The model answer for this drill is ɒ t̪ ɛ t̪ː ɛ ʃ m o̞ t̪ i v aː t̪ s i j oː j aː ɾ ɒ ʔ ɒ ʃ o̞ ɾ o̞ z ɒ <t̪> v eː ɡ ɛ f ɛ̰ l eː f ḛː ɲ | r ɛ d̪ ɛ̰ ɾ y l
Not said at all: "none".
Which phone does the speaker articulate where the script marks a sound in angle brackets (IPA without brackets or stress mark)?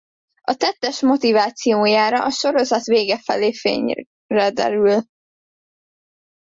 t̪